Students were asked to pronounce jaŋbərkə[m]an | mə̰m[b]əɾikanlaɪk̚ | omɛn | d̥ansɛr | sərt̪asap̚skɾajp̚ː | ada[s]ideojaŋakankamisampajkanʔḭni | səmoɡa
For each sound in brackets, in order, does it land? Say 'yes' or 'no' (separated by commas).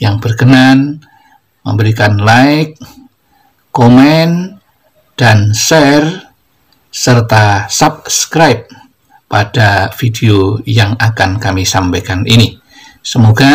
no, yes, no